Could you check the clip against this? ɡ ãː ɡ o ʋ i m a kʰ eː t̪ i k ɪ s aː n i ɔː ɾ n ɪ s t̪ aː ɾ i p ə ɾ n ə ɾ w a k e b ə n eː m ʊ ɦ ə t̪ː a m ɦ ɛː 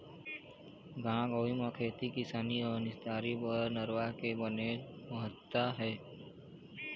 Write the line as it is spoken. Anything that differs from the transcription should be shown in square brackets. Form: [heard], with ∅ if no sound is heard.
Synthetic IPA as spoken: ɡ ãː ɡ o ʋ i m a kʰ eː t̪ i k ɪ s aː n i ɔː ɾ n ɪ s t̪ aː ɾ i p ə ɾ n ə ɾ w a k e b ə n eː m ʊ ɦ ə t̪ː a [∅] ɦ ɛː

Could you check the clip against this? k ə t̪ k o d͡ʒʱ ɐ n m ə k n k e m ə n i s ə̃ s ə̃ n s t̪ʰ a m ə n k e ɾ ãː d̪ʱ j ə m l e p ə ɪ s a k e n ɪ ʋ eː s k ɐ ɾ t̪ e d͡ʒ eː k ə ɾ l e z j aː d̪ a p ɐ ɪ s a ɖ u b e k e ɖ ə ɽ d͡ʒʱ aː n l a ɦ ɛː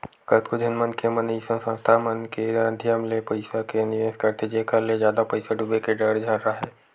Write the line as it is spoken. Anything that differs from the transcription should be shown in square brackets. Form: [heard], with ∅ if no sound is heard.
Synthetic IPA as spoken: k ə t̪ k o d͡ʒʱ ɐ n m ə [∅] n k e m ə n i s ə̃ s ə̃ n s t̪ʰ a m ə n k e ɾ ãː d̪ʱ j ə m l e p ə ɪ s a k e n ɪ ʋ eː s k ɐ ɾ t̪ e d͡ʒ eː k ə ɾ l e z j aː d̪ a p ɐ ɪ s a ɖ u b e k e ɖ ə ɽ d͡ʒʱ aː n [ɾ] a ɦ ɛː

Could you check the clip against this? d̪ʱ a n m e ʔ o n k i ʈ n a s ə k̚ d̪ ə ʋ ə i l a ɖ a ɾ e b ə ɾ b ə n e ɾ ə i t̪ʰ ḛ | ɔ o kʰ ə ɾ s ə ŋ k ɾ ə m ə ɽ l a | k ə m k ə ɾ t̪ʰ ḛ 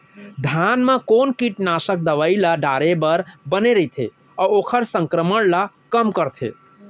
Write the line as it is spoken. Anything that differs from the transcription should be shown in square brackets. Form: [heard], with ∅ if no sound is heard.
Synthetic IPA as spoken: d̪ʱ a n m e [k] o n k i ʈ n a s ə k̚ d̪ ə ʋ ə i l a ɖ a ɾ e b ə ɾ b ə n e ɾ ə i t̪ʰ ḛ | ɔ o kʰ ə ɾ s ə ŋ k ɾ ə m ə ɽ l a | k ə m k ə ɾ t̪ʰ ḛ

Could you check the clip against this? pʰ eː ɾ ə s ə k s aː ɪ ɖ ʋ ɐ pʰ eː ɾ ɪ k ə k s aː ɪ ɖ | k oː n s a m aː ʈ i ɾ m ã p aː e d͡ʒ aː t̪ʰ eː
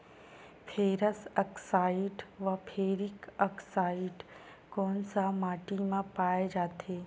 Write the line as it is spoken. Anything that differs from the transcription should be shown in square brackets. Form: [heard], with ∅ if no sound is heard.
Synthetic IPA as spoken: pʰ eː ɾ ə s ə k s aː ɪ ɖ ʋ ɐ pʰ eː ɾ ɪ k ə k s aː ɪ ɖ | k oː n s a m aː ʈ i [∅] m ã p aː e d͡ʒ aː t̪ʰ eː

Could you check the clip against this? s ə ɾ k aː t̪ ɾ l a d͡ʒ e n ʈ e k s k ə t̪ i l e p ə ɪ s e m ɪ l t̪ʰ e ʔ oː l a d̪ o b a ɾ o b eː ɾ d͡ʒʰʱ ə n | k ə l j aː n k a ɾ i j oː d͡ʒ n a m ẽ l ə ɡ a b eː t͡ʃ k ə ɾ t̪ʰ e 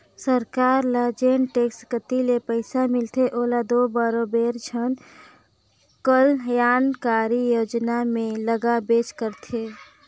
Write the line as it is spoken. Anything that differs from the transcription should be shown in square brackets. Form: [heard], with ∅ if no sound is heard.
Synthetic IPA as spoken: s ə ɾ k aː [∅] ɾ l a d͡ʒ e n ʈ e k s k ə t̪ i l e p ə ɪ s [a] m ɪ l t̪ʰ e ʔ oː l a d̪ o b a ɾ o b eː ɾ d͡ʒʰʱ ə n | k ə l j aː n k a ɾ i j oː d͡ʒ n a m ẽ l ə ɡ a b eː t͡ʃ k ə ɾ t̪ʰ e

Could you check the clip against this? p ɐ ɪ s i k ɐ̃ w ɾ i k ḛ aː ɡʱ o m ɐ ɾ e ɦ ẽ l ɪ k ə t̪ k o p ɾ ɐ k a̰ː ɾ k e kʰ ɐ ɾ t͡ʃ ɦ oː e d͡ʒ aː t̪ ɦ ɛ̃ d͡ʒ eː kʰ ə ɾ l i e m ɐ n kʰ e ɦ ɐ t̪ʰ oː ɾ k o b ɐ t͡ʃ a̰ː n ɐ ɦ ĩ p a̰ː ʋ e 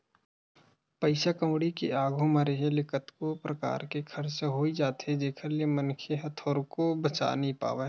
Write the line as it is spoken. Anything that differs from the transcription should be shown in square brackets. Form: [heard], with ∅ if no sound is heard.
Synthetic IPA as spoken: p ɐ ɪ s [a] k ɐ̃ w [ɽ] i k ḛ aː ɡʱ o m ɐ ɾ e ɦ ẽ l ɪ k ə t̪ k o p ɾ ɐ k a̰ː ɾ k e kʰ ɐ ɾ t͡ʃ ɦ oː [i] d͡ʒ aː t̪ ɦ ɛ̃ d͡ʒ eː kʰ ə ɾ l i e m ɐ n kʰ e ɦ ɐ t̪ʰ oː ɾ k o b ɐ t͡ʃ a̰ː n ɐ ɦ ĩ p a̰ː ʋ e

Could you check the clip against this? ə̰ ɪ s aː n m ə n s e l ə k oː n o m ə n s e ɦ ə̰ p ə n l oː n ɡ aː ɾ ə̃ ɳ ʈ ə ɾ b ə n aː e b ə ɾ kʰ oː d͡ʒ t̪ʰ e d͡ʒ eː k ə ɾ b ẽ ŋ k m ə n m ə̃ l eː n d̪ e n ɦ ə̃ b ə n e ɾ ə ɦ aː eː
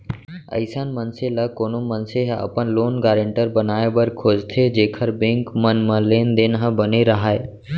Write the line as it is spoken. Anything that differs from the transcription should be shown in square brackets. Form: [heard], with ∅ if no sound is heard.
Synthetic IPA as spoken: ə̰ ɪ s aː n m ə n s e l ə k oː n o m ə n s e ɦ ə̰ p ə n l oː n ɡ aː ɾ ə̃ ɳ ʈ ə ɾ b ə n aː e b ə ɾ kʰ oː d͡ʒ t̪ʰ e d͡ʒ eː [kʰ] ə ɾ b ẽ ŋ k m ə n m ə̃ l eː n d̪ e n ɦ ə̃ b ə n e ɾ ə ɦ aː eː

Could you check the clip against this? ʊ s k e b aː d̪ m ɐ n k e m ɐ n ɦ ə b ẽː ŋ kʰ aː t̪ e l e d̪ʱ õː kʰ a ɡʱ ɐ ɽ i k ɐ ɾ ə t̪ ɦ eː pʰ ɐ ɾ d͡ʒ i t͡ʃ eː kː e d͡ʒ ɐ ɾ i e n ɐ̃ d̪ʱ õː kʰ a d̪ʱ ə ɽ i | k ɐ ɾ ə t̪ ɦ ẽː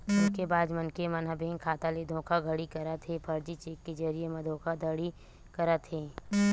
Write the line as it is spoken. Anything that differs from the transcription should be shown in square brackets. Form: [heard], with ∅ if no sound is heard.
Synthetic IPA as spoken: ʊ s k e b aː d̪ m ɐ n k e m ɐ n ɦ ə b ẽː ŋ kʰ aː t̪ [a] l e d̪ʱ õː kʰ a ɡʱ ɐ ɽ i k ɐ ɾ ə t̪ ɦ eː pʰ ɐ ɾ d͡ʒ i t͡ʃ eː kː e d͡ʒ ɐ ɾ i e [m] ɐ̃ d̪ʱ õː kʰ a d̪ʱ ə ɽ i | k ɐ ɾ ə t̪ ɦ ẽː

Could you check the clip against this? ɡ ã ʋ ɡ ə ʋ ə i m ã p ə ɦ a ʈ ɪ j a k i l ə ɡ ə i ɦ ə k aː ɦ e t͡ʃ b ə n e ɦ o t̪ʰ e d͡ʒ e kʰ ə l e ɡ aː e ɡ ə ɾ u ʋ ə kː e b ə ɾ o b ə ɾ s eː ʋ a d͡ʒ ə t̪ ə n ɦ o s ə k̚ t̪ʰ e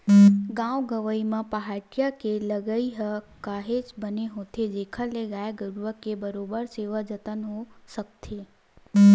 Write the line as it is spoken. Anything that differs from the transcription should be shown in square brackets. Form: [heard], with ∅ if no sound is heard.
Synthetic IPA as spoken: ɡ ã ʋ ɡ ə ʋ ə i m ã p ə ɦ a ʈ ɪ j a k [e] l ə ɡ ə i ɦ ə k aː ɦ e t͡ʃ b ə n e ɦ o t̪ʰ e d͡ʒ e kʰ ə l e ɡ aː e ɡ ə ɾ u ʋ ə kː e b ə ɾ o b ə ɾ s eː ʋ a d͡ʒ ə t̪ ə n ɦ o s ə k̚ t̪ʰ e

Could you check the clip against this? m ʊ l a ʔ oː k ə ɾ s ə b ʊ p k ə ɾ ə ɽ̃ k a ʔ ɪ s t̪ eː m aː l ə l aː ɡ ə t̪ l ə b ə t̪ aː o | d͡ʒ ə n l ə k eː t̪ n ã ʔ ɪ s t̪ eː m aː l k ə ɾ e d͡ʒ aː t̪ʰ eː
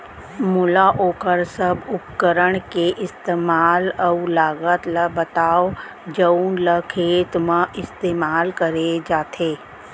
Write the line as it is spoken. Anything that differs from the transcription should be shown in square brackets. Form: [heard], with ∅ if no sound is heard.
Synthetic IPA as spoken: m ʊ l a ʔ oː k ə ɾ s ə b ʊ p k ə ɾ ə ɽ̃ k [e] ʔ ɪ s t̪ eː m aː l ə l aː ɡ ə t̪ l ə b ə t̪ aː o | d͡ʒ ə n l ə [kʰ] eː t̪ [m] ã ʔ ɪ s t̪ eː m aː l k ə ɾ e d͡ʒ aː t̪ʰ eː

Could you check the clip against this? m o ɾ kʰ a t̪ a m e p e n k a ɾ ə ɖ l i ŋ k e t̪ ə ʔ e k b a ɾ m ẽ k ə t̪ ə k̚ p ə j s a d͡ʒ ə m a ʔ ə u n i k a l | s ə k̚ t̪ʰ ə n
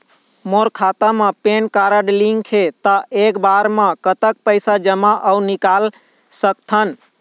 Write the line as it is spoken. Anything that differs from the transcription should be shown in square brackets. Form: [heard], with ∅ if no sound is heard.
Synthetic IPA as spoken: m o ɾ kʰ a t̪ a m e p e n k a ɾ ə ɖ l i ŋ [kʰ] e t̪ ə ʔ e k b a ɾ m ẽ k ə t̪ ə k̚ p ə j s a d͡ʒ ə m a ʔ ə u n i k a l | s ə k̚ t̪ʰ ə n

